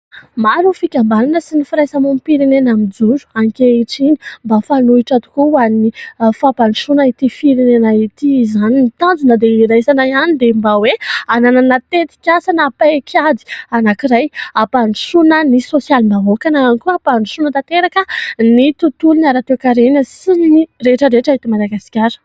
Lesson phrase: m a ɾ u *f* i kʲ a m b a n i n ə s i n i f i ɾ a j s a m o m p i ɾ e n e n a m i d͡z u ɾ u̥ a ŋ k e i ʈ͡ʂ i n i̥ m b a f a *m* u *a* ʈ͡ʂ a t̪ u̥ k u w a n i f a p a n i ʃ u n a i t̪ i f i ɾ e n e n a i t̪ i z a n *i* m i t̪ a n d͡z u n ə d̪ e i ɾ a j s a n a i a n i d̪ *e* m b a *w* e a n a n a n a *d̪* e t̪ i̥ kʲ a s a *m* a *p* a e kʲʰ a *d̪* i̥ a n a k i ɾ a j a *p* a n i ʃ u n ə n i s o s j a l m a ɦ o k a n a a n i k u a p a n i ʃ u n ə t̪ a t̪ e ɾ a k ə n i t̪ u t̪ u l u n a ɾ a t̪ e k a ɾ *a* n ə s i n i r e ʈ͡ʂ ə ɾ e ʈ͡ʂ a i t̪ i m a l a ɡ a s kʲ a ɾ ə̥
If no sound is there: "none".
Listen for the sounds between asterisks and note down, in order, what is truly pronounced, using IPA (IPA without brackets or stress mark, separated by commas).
f, n, i, i, e, w, t̪, n, p, d̪, p, e